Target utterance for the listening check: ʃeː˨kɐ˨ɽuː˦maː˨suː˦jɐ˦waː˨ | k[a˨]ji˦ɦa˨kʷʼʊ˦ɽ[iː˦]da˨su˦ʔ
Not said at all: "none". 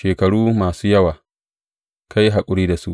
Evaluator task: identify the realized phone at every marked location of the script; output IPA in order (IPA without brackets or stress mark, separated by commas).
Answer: a˦, iː˦